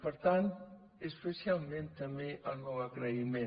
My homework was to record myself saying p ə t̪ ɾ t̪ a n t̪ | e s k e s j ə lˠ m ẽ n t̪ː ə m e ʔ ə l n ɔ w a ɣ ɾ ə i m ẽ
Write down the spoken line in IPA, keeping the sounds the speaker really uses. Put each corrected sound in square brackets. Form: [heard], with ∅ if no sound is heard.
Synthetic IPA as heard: p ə [∅] ɾ t̪ a n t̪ | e s [p] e s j [a] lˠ m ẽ n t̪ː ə m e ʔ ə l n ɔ w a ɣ ɾ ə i m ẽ